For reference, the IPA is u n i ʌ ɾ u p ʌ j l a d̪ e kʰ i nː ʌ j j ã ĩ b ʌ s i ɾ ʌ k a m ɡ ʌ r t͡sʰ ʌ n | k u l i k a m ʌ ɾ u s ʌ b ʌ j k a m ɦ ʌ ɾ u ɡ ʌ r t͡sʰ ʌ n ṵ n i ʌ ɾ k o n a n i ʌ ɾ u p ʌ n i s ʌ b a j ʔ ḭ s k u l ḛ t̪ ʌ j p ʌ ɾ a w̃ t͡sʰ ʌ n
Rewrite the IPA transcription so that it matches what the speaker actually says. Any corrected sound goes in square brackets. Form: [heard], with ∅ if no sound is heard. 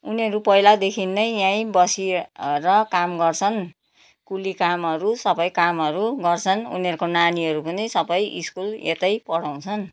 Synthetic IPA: u n i ʌ ɾ u p ʌ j l a d̪ e kʰ i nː ʌ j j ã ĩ b ʌ s i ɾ ʌ k a m ɡ ʌ r t͡sʰ ʌ n | k u l i k a m ʌ ɾ u s ʌ b ʌ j k a m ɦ ʌ ɾ u ɡ ʌ r t͡sʰ ʌ n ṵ n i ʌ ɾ k o n a n i ʌ ɾ u p ʌ n i s ʌ b [ʌ] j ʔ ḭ s k u l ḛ t̪ ʌ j p ʌ [ɽ] a w̃ t͡sʰ ʌ n